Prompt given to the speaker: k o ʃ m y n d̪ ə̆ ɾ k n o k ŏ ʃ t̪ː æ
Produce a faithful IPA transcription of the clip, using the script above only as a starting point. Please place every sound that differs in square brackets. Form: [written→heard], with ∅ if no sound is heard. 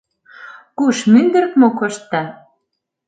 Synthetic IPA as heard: k [o→u] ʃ m y n d̪ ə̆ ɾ k [n→m] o k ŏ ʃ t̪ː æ